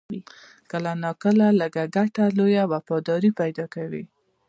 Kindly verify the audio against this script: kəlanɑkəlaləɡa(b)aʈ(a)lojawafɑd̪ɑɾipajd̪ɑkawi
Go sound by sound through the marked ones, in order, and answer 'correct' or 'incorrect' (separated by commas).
incorrect, correct